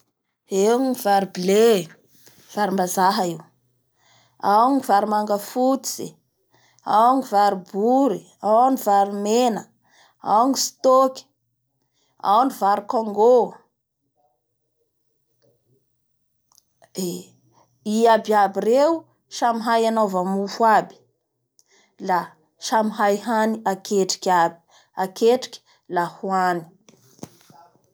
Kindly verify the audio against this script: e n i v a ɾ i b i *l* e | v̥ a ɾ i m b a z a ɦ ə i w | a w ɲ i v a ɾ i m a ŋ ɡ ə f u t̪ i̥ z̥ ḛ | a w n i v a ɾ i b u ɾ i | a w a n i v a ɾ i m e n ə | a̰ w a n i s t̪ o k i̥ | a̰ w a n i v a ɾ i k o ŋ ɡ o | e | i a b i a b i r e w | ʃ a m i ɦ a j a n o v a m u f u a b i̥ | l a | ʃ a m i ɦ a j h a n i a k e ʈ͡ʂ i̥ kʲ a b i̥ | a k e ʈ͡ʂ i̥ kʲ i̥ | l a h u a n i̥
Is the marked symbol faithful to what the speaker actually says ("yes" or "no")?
yes